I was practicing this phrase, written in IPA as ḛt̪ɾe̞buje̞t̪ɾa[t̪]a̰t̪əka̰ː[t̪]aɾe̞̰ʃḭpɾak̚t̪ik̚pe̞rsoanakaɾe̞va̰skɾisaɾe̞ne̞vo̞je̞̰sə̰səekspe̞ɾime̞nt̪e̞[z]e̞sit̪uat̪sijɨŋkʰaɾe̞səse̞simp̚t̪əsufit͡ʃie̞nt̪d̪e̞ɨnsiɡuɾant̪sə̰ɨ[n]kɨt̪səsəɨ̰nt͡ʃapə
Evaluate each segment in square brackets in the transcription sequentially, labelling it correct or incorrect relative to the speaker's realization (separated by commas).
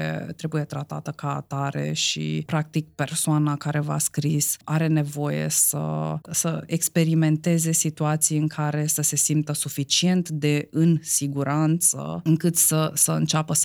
correct, correct, correct, incorrect